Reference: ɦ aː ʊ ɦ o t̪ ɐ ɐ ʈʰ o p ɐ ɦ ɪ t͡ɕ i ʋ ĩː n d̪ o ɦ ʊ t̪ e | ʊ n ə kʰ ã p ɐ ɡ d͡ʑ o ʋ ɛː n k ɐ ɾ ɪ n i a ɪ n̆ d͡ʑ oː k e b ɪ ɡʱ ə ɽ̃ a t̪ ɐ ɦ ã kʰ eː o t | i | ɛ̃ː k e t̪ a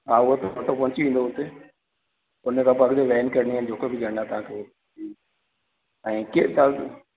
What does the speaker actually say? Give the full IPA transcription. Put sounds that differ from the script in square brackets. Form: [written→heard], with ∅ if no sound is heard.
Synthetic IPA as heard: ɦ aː ʊ ɦ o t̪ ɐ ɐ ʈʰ o p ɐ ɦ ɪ t͡ɕ i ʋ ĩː n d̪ o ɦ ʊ t̪ e | ʊ n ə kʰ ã p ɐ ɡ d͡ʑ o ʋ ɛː n k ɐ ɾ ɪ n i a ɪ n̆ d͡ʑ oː k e b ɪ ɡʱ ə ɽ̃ a t̪ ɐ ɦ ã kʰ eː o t | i | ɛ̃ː k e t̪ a